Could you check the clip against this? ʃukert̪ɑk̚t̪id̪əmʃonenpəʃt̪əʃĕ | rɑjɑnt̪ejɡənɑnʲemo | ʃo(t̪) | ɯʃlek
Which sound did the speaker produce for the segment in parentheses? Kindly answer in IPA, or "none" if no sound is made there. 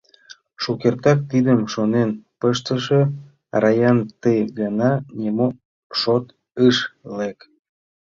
t̪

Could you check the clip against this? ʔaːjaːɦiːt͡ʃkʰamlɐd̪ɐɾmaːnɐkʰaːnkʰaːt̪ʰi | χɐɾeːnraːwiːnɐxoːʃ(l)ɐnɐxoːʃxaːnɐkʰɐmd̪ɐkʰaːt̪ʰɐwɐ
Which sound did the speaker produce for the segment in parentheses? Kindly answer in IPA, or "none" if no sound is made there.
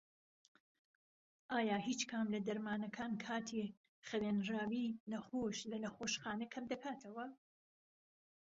l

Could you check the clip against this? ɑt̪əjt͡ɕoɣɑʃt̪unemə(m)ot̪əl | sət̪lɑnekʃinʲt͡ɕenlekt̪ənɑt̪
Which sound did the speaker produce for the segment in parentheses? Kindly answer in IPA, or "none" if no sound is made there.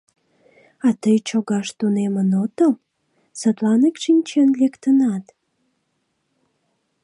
n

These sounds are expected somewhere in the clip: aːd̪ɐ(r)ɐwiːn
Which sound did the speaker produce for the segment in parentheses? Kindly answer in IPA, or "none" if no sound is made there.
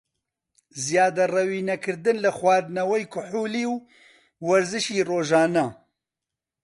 r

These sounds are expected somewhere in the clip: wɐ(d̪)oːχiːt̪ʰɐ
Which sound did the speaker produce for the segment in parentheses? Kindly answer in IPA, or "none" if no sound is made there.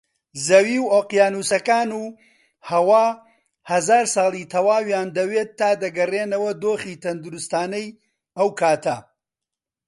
d̪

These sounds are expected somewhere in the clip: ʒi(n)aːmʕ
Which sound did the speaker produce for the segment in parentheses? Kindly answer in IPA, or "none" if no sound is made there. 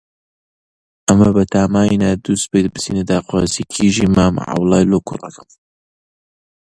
m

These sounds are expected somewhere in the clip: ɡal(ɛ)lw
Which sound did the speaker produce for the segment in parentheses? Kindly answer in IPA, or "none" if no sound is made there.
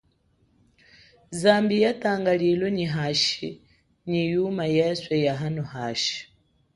i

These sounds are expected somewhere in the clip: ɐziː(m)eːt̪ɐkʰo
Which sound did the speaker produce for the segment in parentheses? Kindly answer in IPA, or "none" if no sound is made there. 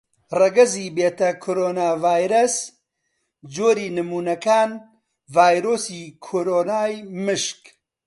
b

